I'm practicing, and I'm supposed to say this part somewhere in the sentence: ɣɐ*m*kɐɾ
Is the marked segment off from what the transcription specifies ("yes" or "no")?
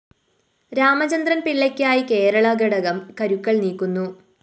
no